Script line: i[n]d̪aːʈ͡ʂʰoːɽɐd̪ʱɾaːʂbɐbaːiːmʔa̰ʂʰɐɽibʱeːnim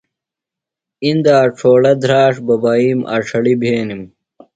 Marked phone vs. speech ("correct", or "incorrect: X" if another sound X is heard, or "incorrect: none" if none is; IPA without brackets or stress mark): correct